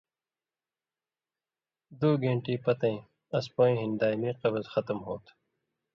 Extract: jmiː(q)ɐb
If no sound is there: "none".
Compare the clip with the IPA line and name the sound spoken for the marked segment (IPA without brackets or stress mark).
q